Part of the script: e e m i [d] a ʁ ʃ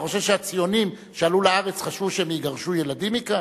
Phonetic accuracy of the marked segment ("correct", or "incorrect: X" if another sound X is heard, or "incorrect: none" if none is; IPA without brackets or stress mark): incorrect: ɡ